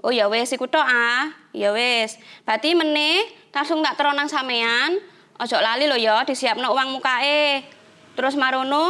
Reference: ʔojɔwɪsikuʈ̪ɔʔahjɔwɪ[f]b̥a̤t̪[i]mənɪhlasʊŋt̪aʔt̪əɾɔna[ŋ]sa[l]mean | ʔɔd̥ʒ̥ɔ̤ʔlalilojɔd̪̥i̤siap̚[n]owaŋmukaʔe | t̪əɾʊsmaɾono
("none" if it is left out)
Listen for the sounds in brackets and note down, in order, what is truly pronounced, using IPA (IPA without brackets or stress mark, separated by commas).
s, i, ŋ, none, n